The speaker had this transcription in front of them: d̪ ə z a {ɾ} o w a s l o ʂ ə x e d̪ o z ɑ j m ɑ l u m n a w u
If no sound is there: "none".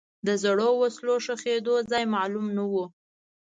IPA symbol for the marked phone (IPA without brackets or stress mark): ɽ